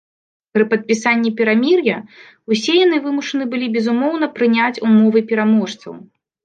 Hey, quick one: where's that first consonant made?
lips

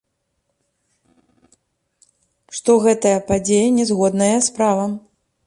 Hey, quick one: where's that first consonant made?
retroflex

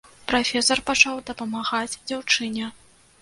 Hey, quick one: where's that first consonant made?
lips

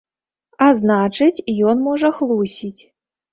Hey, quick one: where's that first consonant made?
tongue tip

